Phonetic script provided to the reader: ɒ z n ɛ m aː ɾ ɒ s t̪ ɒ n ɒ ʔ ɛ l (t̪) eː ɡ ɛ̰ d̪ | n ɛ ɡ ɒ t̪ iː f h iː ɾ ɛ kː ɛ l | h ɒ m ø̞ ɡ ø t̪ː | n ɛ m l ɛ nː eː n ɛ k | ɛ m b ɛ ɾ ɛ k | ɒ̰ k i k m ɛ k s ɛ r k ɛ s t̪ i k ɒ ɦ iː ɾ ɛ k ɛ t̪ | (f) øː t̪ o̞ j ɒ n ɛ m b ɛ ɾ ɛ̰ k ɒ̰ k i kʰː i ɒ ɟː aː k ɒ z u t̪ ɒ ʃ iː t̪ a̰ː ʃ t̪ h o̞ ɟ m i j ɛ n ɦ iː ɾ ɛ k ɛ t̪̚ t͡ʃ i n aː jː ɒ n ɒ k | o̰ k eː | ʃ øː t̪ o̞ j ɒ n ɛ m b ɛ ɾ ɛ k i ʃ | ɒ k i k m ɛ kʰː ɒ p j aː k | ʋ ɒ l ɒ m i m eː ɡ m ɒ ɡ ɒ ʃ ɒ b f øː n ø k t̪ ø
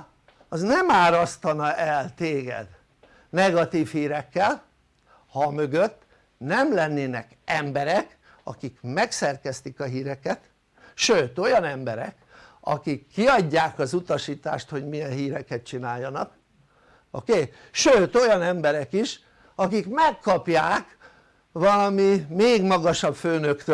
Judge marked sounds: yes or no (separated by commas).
yes, no